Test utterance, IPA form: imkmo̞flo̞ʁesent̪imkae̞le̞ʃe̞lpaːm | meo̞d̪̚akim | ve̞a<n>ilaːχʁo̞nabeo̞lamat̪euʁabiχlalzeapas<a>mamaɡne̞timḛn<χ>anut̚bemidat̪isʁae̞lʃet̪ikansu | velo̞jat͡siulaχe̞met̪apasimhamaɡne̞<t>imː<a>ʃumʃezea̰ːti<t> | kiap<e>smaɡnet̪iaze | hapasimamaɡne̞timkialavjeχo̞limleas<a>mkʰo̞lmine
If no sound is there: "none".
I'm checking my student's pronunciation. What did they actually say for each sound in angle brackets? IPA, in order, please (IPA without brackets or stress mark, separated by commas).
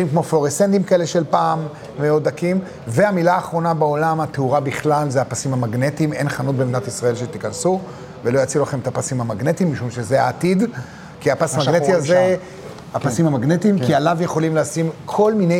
m, i, χ, t, i, d, a, i